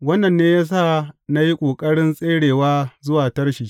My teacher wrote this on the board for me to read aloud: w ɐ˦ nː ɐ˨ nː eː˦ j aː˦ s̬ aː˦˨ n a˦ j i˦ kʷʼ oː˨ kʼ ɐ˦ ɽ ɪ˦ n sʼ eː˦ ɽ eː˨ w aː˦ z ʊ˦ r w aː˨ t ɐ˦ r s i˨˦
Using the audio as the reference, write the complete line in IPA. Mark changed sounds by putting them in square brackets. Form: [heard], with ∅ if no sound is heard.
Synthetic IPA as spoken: w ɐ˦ nː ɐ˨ nː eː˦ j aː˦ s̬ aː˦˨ n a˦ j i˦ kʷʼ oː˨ kʼ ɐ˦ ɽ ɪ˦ n sʼ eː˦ ɽ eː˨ w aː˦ z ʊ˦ [∅] w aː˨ t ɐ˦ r [ʃ] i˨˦